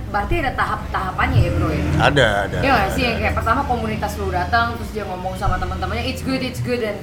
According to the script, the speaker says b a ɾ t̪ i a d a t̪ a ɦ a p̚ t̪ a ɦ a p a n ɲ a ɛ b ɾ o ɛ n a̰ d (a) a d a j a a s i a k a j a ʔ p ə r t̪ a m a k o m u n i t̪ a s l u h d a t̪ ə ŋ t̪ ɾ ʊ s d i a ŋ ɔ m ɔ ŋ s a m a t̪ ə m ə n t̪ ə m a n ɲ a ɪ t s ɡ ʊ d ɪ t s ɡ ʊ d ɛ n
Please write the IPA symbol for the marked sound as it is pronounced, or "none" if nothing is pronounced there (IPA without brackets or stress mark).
a